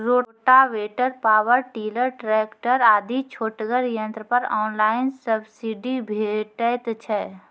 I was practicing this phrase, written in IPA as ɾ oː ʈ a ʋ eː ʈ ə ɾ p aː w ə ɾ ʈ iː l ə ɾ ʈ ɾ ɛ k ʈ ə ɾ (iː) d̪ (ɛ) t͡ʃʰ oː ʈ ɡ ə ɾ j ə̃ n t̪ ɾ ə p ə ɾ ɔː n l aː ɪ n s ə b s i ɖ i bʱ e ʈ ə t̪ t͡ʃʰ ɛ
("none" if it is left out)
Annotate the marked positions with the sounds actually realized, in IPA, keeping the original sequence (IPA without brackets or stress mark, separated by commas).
aː, i